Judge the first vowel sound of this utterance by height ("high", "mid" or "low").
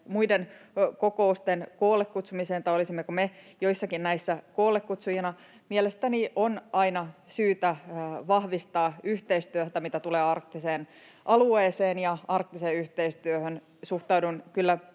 high